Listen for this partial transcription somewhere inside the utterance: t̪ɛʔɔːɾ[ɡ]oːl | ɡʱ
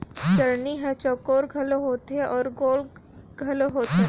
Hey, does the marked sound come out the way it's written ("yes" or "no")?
yes